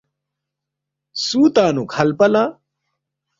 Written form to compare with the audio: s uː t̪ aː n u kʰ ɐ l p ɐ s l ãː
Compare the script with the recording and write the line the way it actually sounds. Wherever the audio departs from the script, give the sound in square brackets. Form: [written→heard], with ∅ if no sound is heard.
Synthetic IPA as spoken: s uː t̪ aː n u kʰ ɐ l p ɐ [s→∅] l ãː

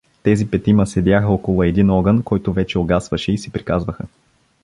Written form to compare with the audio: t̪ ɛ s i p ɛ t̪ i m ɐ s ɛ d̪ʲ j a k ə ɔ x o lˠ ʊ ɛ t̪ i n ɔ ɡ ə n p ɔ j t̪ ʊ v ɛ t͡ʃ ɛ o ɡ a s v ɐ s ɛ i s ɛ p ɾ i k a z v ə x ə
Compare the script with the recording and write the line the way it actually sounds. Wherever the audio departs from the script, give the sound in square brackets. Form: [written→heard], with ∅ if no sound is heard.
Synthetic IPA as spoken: t̪ ɛ [s→z] i p ɛ t̪ i m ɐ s ɛ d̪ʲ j a [k→x] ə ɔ [x→k] o lˠ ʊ ɛ [t̪→d̪] i n ɔ ɡ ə n [p→k] ɔ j t̪ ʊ v ɛ t͡ʃ ɛ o ɡ a s v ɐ [s→ʃ] ɛ i s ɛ p ɾ i k a z v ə x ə

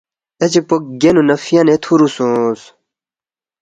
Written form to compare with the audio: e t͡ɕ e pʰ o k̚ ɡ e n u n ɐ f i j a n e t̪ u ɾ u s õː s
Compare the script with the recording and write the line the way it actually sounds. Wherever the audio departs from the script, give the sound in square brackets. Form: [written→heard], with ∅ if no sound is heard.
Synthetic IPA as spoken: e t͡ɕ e [pʰ→p] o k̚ ɡ e n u n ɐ f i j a n e [t̪→t̪ʰ] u ɾ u s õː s

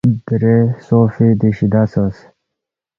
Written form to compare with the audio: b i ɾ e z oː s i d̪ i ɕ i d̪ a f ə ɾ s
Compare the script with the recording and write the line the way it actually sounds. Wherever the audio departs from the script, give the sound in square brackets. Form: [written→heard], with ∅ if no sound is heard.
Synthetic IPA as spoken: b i ɾ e [z→s] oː [s→f] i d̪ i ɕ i d̪ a [f→s] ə [ɾ→∅] s

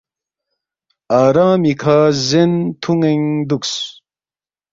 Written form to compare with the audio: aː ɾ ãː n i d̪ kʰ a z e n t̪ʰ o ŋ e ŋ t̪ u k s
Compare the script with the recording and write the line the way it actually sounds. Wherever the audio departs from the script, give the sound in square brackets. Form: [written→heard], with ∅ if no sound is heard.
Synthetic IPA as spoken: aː ɾ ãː [n→m] i [d̪→∅] kʰ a z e n t̪ʰ [o→u] ŋ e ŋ [t̪→d̪] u k s

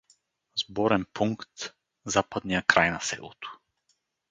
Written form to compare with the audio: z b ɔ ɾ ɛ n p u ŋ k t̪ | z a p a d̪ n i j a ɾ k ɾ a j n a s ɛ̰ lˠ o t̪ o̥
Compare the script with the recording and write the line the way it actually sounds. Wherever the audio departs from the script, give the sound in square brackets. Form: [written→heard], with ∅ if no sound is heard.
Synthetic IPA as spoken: z b ɔ ɾ ɛ n p u ŋ k t̪ | z a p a d̪ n i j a [ɾ→∅] k ɾ a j n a s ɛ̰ lˠ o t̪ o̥

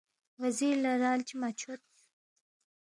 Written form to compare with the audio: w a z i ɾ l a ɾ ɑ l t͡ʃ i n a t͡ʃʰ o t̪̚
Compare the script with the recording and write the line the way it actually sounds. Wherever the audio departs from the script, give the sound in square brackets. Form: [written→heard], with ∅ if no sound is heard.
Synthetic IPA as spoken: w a z i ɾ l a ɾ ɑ l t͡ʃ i [n→m] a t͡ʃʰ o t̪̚

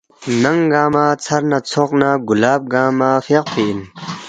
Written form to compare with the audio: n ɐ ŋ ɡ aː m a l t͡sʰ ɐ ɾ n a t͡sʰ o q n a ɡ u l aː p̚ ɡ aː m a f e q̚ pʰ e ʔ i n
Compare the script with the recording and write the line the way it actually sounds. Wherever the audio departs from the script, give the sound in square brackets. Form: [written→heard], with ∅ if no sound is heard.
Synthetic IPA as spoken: n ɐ ŋ ɡ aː m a [l→∅] t͡sʰ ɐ ɾ n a t͡sʰ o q n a ɡ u l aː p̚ ɡ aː m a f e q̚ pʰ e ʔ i n

